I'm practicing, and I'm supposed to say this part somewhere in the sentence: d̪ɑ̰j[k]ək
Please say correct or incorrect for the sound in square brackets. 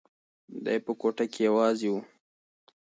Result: incorrect: p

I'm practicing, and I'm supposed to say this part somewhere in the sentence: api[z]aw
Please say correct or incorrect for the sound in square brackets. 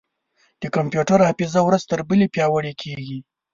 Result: correct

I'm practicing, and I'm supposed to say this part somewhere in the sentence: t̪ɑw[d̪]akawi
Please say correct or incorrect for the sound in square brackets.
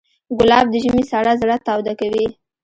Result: correct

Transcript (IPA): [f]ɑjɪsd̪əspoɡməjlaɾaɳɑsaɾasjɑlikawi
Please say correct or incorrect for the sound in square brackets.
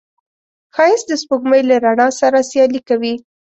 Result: incorrect: x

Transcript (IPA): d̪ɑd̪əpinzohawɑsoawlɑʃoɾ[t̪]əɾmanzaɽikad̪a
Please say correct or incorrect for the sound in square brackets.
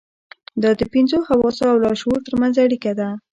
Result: correct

